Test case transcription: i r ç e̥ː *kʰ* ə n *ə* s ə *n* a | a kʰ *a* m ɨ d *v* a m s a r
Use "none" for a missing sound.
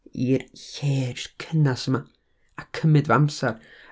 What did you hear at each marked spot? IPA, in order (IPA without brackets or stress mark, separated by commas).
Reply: kʰ, a, m, ə, v